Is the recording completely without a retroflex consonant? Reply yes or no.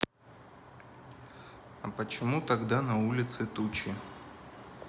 yes